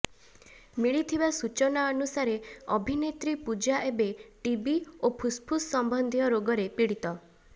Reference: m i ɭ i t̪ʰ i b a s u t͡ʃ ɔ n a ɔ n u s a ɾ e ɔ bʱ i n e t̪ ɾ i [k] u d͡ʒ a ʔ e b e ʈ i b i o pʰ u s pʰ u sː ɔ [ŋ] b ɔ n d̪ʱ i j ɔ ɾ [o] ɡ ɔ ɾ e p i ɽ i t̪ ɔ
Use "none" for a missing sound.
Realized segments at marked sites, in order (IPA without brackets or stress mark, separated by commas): p, m, o